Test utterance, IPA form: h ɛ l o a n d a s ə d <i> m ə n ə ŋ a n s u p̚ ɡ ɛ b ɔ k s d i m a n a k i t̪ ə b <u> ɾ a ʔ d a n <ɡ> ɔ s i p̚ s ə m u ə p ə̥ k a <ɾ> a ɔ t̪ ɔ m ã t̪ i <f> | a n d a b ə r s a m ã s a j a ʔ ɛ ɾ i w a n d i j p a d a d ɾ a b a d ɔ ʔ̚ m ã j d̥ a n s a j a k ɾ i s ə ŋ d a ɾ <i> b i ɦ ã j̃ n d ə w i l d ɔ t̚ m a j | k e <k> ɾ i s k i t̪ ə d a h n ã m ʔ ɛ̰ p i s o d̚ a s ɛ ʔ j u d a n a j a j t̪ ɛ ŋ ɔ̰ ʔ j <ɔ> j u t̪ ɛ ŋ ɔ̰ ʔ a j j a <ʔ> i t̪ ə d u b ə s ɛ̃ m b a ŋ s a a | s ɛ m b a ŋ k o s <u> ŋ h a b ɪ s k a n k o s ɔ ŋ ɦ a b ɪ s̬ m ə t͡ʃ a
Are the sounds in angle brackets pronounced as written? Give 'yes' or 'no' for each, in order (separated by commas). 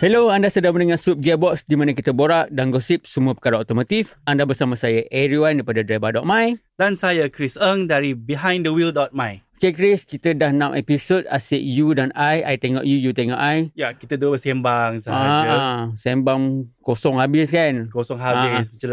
no, no, yes, yes, yes, yes, yes, no, no, no